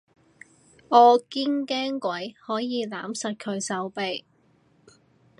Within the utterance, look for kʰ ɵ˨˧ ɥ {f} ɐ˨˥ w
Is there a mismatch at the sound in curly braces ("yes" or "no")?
yes